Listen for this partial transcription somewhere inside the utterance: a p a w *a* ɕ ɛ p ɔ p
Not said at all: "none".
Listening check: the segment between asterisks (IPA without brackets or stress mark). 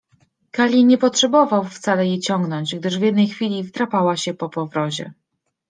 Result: a